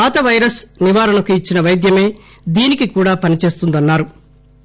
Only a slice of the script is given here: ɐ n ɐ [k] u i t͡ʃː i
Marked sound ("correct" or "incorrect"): correct